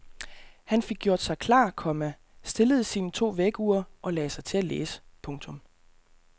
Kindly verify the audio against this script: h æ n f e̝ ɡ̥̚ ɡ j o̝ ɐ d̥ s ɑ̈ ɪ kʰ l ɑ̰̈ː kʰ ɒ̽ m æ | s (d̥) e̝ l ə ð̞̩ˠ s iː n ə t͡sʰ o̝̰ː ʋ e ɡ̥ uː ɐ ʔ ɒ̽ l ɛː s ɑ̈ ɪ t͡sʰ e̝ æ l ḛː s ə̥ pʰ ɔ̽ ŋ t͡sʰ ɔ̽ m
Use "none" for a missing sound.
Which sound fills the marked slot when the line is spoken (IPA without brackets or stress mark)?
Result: d̥